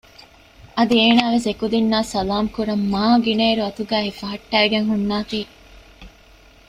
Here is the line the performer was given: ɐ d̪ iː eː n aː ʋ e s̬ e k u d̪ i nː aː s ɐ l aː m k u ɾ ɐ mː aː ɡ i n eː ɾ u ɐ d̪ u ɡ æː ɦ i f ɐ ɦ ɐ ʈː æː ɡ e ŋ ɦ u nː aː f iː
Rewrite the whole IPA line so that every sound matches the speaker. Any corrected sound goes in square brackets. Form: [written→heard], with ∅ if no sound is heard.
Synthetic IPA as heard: ɐ d̪ [iː→i] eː n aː ʋ e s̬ e k u d̪ i nː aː s ɐ l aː m k u ɾ ɐ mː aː ɡ i n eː ɾ u ɐ [d̪→t̪] u ɡ æː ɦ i f ɐ ɦ ɐ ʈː æː ɡ e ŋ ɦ u nː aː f iː